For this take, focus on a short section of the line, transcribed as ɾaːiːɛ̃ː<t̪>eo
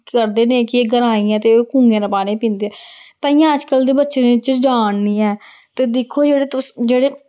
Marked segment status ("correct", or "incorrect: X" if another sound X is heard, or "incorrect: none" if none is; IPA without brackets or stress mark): correct